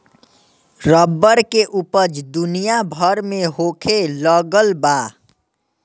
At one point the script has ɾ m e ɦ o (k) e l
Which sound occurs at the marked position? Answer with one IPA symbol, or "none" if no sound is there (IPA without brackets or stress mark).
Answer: kʰ